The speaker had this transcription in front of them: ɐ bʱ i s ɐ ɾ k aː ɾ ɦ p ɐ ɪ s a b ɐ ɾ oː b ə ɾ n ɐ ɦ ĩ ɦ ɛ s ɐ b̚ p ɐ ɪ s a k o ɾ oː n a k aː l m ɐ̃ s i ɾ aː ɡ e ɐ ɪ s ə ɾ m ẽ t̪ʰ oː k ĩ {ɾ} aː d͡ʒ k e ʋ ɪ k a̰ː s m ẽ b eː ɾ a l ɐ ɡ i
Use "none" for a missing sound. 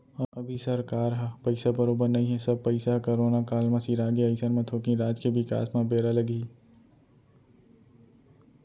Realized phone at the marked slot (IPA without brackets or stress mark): ɾ